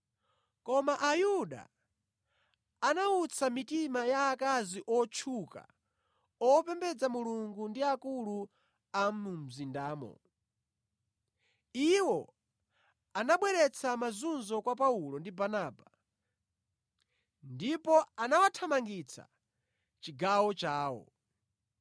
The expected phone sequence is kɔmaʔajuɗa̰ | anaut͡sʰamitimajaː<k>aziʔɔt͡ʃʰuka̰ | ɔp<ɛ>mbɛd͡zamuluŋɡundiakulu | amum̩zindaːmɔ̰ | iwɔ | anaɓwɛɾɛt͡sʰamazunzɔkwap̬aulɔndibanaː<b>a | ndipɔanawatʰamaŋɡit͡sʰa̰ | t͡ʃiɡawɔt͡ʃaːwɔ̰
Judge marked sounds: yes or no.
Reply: yes, yes, yes

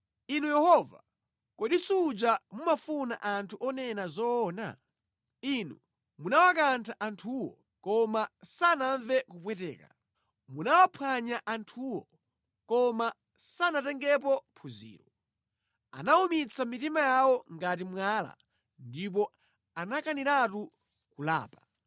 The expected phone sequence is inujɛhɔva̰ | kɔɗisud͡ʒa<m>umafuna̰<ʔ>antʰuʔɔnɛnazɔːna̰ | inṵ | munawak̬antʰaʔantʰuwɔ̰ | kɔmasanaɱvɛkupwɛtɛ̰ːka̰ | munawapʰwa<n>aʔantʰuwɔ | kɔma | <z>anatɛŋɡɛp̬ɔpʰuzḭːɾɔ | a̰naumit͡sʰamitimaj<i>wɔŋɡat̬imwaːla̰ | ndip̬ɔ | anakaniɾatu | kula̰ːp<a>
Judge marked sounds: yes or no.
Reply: yes, yes, no, no, no, yes

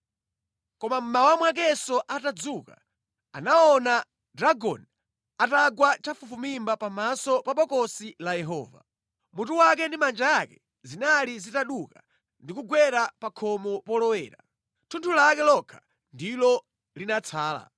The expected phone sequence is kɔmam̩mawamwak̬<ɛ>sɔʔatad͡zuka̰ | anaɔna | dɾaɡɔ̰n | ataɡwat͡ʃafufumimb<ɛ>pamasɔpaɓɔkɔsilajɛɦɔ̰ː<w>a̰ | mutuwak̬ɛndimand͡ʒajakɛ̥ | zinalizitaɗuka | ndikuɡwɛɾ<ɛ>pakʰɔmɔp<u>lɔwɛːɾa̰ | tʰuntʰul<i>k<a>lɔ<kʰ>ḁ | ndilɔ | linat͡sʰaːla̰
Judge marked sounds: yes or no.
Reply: yes, no, no, no, no, no, no, yes

